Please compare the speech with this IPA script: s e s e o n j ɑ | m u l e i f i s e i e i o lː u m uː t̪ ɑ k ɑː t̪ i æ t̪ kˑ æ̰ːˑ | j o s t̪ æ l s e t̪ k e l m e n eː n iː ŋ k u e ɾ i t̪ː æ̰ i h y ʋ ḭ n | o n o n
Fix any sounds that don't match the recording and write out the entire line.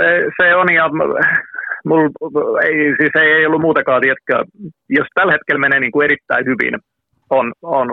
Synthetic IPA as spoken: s e s e o n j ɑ | m u l e i s i s e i e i o lː u m uː t̪ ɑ k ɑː t̪ i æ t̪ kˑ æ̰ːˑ | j o s t̪ æ l h e t̪ k e l m e n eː n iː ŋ k u e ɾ i t̪ː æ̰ i h y ʋ ḭ n | o n o n